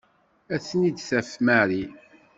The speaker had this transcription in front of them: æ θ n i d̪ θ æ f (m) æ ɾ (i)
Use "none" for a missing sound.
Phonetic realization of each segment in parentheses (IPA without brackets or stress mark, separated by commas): m, i